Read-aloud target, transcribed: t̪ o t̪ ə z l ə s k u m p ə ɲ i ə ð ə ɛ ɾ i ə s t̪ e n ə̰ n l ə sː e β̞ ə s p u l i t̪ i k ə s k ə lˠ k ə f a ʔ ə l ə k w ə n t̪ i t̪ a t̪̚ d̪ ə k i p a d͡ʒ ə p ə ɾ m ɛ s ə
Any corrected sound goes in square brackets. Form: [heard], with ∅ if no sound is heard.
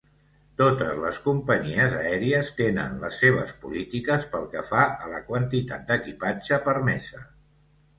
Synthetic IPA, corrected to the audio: t̪ o t̪ ə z l ə s k u m p ə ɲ i ə [z] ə ɛ ɾ i ə s t̪ e n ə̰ n l ə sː e β̞ ə s p u l i t̪ i k ə s [p] ə lˠ k ə f a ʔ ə l ə k w ə n t̪ i t̪ a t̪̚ d̪ ə k i p a d͡ʒ ə p ə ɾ m ɛ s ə